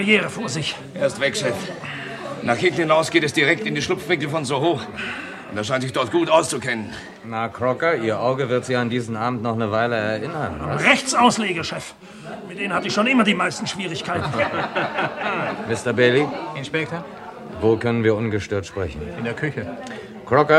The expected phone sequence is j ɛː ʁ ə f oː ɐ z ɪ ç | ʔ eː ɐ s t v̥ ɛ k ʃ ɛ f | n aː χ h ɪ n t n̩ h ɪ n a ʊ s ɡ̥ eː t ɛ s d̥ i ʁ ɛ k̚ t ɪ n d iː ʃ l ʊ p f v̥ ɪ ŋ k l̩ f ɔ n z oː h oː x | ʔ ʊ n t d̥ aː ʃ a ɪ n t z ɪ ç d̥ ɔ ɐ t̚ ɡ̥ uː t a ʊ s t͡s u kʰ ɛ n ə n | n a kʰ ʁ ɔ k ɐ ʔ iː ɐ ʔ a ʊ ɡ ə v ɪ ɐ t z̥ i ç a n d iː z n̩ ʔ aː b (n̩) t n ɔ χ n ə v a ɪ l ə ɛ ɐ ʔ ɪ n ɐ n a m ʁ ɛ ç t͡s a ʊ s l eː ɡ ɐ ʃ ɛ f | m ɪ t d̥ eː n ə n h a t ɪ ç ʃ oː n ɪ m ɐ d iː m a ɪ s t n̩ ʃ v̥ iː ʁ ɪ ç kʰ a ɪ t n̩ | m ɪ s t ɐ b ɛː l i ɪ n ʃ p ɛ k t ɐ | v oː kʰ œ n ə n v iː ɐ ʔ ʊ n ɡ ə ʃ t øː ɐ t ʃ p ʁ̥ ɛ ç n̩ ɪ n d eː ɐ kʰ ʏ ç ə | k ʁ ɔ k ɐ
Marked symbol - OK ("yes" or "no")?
no